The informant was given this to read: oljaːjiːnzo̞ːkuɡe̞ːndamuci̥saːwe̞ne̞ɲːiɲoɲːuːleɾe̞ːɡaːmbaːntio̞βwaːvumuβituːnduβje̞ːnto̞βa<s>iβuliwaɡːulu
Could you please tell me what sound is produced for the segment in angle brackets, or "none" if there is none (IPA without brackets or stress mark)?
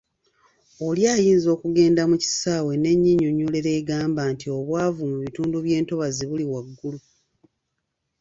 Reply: z